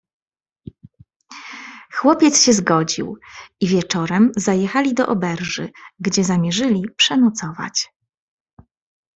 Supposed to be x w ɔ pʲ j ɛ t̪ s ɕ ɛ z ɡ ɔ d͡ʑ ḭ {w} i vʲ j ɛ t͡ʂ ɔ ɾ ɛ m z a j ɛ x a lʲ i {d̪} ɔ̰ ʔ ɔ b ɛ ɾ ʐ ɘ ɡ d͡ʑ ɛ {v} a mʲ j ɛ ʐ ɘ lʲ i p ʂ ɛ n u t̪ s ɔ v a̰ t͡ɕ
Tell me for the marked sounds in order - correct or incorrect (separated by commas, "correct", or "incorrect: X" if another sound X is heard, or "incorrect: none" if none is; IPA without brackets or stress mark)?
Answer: correct, correct, incorrect: z